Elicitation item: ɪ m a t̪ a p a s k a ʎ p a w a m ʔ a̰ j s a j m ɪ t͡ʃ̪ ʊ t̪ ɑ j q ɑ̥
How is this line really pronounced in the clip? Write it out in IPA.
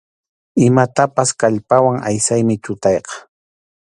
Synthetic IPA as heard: ɪ m a t̪ a p a s k a ʎ p a w a ŋ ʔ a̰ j s a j m ɪ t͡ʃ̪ ʊ t̪ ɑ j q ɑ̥

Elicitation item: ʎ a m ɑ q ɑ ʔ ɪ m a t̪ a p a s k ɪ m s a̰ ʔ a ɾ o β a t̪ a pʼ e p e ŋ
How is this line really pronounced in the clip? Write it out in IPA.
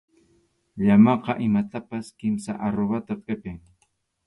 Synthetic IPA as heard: ʎ a m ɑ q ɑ ʔ ɪ m a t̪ a p a s k ɪ m s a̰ ʔ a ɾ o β a t̪ a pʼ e p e ŋ

